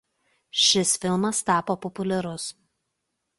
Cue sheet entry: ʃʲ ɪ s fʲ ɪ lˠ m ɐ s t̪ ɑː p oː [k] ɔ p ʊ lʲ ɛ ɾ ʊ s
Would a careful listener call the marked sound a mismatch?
yes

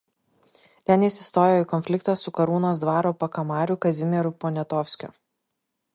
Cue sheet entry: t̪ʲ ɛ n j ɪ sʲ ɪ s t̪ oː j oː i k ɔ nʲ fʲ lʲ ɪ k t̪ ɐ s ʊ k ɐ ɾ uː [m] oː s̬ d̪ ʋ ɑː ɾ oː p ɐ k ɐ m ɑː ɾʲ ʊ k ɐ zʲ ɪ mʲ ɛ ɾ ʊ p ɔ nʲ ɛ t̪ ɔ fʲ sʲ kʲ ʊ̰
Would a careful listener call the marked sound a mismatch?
yes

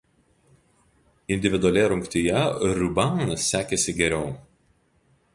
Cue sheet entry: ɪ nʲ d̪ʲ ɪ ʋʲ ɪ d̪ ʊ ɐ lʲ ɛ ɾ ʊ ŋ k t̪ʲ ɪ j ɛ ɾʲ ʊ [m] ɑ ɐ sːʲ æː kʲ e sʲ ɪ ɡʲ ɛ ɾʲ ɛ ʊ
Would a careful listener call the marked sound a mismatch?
yes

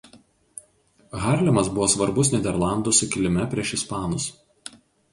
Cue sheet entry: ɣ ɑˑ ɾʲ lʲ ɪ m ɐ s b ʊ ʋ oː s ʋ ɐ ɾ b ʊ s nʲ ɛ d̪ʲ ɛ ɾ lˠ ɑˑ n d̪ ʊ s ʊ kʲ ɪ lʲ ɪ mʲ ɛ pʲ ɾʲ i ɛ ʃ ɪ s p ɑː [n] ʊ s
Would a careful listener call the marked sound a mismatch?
no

